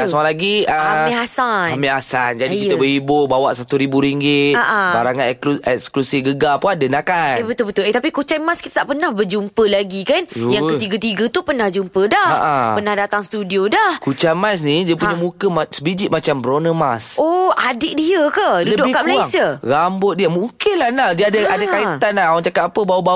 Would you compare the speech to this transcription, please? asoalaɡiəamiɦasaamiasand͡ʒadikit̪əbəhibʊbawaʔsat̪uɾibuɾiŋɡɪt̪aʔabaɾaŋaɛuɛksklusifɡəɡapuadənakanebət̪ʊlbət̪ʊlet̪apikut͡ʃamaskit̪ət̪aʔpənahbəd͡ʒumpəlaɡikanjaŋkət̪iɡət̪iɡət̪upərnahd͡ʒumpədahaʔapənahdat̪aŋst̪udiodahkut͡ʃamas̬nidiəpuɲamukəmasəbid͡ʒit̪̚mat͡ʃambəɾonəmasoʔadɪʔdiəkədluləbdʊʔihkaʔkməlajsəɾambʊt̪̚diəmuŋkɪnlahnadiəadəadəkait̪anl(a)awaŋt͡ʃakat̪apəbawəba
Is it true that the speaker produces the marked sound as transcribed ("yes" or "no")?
yes